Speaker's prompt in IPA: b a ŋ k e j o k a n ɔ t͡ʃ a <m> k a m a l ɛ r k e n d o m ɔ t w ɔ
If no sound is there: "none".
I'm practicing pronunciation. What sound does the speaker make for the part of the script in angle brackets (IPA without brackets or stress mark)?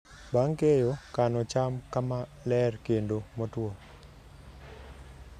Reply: m